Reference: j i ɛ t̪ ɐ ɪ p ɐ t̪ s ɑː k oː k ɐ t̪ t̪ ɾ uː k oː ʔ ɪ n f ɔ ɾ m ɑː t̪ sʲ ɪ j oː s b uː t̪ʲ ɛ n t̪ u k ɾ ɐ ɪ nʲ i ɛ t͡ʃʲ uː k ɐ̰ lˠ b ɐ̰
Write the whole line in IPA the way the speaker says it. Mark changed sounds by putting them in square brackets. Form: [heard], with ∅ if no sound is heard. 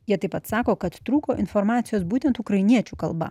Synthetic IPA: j i ɛ t̪ ɐ ɪ p ɐ t̪ s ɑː k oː k ɐ t̪ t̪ ɾ uː k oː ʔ ɪ n f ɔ ɾ m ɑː t̪ sʲ ɪ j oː s b uː t̪ʲ ɛ n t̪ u k ɾ ɐ ɪ nʲ i ɛ t͡ʃʲ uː k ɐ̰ lˠ b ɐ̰